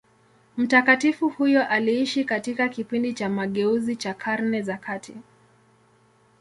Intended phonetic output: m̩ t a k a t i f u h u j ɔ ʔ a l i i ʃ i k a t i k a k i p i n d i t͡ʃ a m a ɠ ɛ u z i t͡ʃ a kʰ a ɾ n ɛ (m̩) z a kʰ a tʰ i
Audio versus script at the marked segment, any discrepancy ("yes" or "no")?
yes